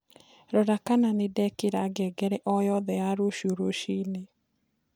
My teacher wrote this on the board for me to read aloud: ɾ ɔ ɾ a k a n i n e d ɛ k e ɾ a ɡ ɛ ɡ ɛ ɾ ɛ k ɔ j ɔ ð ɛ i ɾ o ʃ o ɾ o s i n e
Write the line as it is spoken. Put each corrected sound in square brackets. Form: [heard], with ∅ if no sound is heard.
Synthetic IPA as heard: ɾ ɔ ɾ a k a n [a] n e d ɛ k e ɾ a ɡ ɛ ɡ ɛ ɾ ɛ [ʔ] ɔ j ɔ ð ɛ [a] ɾ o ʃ o ɾ o [ʃ] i n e